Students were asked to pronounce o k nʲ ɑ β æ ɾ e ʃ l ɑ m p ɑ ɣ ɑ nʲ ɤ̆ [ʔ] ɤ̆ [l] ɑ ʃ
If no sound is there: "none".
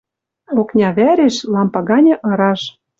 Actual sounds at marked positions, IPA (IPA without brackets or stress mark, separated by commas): ʔ, ɾ